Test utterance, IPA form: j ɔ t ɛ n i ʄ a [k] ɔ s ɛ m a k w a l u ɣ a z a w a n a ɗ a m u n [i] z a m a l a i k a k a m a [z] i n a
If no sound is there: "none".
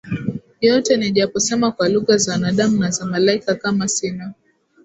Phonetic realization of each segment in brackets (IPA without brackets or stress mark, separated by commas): p, a, s